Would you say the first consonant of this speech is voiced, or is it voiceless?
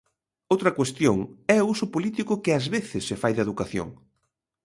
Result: voiced